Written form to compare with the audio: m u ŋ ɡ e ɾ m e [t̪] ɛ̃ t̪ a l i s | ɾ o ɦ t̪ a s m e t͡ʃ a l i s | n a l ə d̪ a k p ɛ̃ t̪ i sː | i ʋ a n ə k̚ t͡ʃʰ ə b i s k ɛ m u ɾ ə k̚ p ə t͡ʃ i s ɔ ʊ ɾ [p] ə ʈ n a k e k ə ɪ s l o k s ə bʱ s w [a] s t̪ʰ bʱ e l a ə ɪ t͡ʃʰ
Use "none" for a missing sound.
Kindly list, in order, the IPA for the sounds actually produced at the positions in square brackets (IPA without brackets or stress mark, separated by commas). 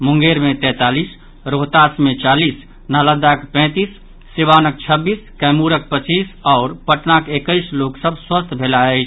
t̪, p, ə